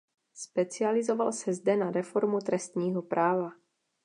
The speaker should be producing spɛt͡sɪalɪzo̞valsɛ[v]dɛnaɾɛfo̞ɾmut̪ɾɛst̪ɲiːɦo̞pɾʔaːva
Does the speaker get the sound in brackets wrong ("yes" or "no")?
yes